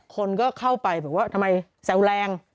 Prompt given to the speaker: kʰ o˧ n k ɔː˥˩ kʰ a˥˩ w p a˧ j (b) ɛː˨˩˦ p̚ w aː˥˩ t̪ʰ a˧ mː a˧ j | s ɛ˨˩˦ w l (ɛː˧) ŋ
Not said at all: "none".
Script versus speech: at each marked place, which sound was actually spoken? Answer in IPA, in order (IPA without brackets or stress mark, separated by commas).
b, ɛː˧